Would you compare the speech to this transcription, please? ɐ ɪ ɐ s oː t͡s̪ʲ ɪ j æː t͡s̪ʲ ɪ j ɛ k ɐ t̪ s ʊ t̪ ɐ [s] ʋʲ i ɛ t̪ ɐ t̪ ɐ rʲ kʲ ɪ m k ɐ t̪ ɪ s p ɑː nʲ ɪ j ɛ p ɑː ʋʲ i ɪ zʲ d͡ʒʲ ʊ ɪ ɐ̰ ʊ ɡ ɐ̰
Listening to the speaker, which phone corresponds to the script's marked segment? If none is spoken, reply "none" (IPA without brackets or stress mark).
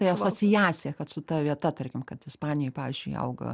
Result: none